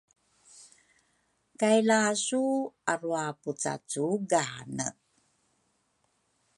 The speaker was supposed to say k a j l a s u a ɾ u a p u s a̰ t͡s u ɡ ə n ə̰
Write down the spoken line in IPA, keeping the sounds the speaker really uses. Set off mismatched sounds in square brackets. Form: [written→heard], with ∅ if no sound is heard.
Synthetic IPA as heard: k a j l a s u a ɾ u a p u [s→t͡s] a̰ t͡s u ɡ [ə→a] n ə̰

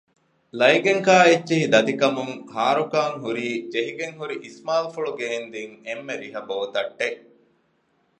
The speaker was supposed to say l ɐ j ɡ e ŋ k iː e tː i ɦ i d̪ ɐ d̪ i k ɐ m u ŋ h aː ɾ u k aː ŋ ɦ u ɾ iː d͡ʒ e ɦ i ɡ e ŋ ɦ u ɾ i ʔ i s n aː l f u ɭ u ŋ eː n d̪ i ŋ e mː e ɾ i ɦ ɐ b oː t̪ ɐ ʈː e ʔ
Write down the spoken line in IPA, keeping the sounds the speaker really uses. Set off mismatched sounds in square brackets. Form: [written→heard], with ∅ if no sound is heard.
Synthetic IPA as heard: l ɐ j ɡ e ŋ k [iː→aː] e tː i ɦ i d̪ ɐ d̪ i k ɐ m u ŋ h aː ɾ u k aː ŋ ɦ u ɾ iː d͡ʒ e ɦ i ɡ e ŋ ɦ u ɾ i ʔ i s [n→m] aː l f u ɭ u [ŋ→ɡ] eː n d̪ i ŋ e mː e ɾ i ɦ ɐ b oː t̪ ɐ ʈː e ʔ

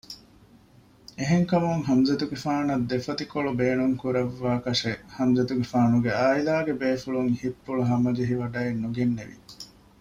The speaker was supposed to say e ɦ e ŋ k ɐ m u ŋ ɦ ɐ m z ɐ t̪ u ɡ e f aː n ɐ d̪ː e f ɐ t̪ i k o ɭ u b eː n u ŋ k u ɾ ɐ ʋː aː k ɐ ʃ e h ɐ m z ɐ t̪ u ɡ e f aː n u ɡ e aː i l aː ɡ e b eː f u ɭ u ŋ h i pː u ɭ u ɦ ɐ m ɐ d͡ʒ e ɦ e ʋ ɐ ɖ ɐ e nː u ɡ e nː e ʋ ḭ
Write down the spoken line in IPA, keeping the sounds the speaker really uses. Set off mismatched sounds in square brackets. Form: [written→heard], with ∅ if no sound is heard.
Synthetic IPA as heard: e ɦ e ŋ k ɐ m u ŋ ɦ ɐ m z ɐ t̪ u ɡ e f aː n ɐ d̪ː e f ɐ t̪ i k o ɭ u b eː n u ŋ k u ɾ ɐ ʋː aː k ɐ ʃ e h ɐ m z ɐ t̪ u ɡ e f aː n u ɡ e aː i l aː ɡ e b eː f u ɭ u ŋ h i pː u ɭ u ɦ ɐ m ɐ d͡ʒ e ɦ [e→i] ʋ ɐ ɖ ɐ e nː u ɡ e nː e ʋ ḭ

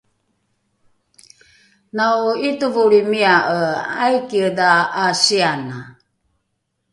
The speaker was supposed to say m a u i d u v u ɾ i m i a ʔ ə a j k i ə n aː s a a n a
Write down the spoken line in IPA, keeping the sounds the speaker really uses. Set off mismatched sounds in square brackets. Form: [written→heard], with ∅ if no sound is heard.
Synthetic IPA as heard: [m→n] a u i [d→t] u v u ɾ i m i a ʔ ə a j k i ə [n→d] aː s [a→i] a n a

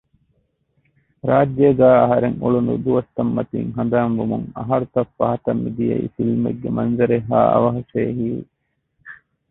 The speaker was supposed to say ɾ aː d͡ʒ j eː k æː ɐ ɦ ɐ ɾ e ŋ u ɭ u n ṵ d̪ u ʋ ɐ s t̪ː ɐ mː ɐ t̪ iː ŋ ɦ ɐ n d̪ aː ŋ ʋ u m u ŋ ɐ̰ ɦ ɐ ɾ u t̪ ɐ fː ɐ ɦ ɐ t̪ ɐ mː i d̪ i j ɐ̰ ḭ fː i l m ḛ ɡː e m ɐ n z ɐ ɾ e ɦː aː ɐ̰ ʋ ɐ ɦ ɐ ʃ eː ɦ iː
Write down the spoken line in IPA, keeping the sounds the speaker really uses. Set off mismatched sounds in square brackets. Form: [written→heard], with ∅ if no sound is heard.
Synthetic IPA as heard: ɾ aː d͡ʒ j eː [k→ɡ] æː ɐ ɦ ɐ ɾ e ŋ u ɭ u n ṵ d̪ u ʋ ɐ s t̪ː ɐ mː ɐ t̪ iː ŋ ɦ ɐ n d̪ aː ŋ ʋ u m u ŋ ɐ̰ ɦ ɐ ɾ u t̪ ɐ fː ɐ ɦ ɐ t̪ ɐ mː i d̪ i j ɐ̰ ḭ [fː→f] i l m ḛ ɡː e m ɐ n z ɐ ɾ e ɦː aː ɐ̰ ʋ ɐ ɦ ɐ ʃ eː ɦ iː

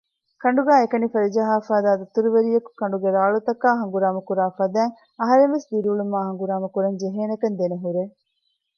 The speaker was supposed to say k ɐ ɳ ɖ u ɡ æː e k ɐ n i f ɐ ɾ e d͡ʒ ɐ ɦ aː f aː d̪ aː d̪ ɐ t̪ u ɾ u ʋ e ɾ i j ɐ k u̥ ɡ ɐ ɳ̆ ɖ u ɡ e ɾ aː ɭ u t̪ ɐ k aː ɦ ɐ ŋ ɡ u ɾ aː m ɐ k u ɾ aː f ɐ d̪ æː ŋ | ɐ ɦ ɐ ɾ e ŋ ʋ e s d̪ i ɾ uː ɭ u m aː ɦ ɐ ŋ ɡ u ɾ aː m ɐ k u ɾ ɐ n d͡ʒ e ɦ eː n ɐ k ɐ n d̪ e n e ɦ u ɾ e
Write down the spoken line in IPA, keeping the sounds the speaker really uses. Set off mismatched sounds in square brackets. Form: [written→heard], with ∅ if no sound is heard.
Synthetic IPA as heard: k ɐ ɳ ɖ u ɡ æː e k ɐ n i f ɐ ɾ [e→i] d͡ʒ ɐ ɦ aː f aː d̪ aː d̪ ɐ t̪ u ɾ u ʋ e ɾ i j ɐ k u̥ [ɡ→k] ɐ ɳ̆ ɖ u ɡ e ɾ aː ɭ u t̪ ɐ k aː ɦ ɐ ŋ ɡ u ɾ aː m ɐ k u ɾ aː f ɐ d̪ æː ŋ | ɐ ɦ ɐ ɾ e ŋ ʋ e s d̪ i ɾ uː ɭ u m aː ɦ ɐ ŋ ɡ u ɾ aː m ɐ k u ɾ ɐ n d͡ʒ e ɦ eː n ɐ k ɐ n d̪ e n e ɦ u ɾ e

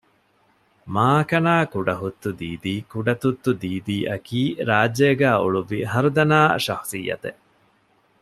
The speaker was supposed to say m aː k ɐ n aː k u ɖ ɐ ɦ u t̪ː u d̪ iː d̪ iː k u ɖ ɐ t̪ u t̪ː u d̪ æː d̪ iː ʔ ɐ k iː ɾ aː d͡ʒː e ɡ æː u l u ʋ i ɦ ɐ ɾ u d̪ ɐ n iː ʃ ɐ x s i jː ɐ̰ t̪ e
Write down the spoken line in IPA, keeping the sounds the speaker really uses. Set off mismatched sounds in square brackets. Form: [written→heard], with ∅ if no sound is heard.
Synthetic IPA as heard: m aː k ɐ n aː k u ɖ ɐ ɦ u t̪ː u d̪ iː d̪ iː k u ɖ ɐ t̪ u t̪ː u d̪ [æː→iː] d̪ iː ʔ ɐ k iː ɾ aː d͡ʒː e ɡ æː u [l→ɭ] u ʋ i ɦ ɐ ɾ u d̪ ɐ n [iː→aː] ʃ ɐ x s i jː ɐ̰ t̪ e

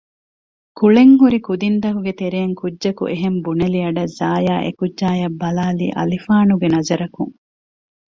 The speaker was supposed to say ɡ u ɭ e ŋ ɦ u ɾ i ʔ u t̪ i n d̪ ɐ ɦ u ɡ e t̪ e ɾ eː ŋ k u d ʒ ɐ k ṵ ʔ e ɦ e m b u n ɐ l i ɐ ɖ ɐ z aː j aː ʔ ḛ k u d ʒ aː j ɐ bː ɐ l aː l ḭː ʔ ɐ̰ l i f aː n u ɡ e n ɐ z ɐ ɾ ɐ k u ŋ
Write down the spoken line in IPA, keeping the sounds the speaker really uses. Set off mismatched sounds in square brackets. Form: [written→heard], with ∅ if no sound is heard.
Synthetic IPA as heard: [ɡ→k] u ɭ e ŋ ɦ u ɾ i [ʔ→k] u [t̪→d̪] i n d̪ ɐ ɦ u ɡ e t̪ e ɾ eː ŋ k u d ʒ ɐ k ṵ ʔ e ɦ e m b u n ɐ l i ɐ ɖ ɐ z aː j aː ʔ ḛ k u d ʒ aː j ɐ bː ɐ l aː l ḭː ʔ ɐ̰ l i f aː n u ɡ e n ɐ z ɐ ɾ ɐ k u ŋ

